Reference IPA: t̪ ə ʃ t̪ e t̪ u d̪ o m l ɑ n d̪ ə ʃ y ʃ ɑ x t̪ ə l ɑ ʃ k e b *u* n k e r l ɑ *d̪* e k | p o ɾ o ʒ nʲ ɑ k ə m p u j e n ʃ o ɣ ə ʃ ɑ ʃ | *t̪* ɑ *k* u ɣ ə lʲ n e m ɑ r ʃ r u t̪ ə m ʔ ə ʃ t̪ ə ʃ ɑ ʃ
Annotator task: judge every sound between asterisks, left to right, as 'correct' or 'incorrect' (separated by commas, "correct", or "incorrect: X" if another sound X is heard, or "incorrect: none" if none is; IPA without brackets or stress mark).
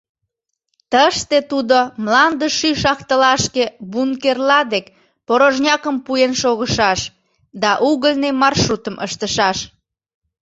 correct, correct, incorrect: d̪, incorrect: ʔ